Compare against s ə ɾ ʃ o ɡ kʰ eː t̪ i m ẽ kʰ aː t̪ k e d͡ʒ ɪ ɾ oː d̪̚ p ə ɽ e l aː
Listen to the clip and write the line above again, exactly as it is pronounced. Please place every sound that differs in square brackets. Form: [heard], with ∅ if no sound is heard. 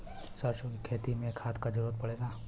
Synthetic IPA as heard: s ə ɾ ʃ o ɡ kʰ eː t̪ i m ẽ kʰ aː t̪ k [a] d͡ʒ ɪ ɾ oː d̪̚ p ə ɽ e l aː